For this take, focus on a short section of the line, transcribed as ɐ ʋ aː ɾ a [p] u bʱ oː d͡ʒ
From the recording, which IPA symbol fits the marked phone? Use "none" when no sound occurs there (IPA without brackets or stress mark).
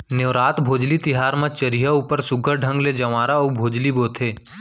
none